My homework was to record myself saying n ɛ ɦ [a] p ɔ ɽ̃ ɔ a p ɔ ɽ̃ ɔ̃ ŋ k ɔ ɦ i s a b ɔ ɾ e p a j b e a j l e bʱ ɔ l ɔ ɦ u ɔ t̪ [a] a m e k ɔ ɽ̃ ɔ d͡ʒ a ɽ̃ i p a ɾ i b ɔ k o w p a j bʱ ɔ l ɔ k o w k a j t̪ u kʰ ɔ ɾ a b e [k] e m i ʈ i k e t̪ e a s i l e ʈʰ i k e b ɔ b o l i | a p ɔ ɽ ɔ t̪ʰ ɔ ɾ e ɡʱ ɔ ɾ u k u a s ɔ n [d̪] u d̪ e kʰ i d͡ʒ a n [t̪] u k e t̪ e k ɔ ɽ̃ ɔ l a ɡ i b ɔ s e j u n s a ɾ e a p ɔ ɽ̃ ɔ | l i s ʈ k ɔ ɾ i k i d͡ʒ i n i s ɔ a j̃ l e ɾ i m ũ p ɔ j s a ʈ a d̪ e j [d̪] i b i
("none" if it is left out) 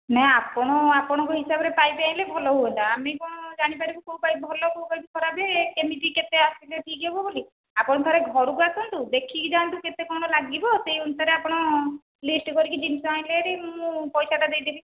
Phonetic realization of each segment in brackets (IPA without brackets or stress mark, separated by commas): a, a, k, t̪, t̪, d̪